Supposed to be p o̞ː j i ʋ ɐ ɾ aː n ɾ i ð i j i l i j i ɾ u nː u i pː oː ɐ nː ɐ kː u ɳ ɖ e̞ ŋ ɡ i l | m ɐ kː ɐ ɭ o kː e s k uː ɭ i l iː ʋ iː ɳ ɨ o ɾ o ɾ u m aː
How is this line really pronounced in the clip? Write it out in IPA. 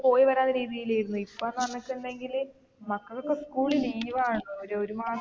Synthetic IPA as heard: p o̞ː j i ʋ ɐ ɾ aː n ɾ iː ð i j i l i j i ɾ u nː u i pː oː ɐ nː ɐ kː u ɳ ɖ e̞ ŋ ɡ i l | m ɐ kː ɐ ɭ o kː e s k uː ɭ i l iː ʋ aː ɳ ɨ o ɾ o ɾ u m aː

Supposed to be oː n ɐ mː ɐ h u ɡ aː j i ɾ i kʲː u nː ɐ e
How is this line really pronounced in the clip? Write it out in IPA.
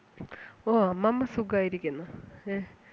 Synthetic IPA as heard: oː m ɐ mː ɐ s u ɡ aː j i ɾ i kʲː u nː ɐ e

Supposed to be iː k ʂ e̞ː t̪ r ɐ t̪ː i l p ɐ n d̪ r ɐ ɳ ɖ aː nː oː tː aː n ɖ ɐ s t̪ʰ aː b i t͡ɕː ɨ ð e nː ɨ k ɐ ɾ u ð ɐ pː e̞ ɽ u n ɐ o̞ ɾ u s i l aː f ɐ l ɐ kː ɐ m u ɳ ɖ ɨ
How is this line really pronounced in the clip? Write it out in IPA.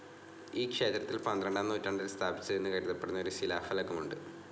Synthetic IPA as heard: iː k ʂ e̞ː t̪ r ɐ t̪ː i l p ɐ n d̪ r ɐ ɳ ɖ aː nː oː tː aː ɳ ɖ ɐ s t̪ʰ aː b i t͡ɕː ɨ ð e nː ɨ k ɐ ɾ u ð ɐ pː e̞ ɽ u n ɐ o̞ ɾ u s i l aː f ɐ l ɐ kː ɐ m u ɳ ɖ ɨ

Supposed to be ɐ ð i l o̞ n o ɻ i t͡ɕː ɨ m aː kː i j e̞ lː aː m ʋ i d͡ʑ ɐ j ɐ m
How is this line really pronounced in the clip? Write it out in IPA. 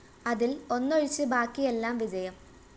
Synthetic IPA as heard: ɐ ð i l o̞ nː o ɻ i t͡ɕː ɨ b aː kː i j e̞ lː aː m ʋ i d͡ʑ ɐ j ɐ m

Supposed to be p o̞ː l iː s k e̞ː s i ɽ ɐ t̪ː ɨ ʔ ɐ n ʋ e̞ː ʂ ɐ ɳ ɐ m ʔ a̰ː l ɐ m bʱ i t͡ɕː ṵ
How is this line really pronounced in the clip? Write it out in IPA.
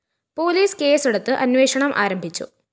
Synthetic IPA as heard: p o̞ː l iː s k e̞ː s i ɽ ɐ t̪ː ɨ ʔ ɐ n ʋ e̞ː ʂ ɐ ɳ ɐ m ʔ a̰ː ɾ ɐ m bʱ i t͡ɕː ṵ

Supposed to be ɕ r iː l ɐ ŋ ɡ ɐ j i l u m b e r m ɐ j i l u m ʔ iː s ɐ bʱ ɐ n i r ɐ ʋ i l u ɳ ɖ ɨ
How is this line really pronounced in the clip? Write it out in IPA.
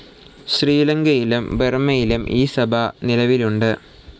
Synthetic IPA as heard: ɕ r iː l ɐ ŋ ɡ ɐ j i l u m b e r m ɐ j i l u m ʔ iː s ɐ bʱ ɐ n i l ɐ ʋ i l u ɳ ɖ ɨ

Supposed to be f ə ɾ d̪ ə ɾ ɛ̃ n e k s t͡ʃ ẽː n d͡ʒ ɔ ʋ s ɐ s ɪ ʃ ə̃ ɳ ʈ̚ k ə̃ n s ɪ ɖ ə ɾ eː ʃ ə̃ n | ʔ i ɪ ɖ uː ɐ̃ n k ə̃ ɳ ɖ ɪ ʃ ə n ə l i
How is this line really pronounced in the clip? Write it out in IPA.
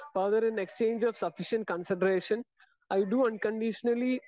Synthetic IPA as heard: f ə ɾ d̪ ə ɾ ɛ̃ n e k s t͡ʃ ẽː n d͡ʒ ɔ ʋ s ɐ f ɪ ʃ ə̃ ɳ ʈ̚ k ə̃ n s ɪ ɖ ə ɾ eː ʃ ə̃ n | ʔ a ɪ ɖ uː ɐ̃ n k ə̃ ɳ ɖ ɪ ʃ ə n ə l i

